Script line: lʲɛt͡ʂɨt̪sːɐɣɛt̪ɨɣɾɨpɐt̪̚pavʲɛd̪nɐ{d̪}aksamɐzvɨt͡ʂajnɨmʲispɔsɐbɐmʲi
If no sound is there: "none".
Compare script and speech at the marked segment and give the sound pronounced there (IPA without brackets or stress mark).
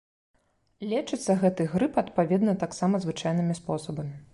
t̪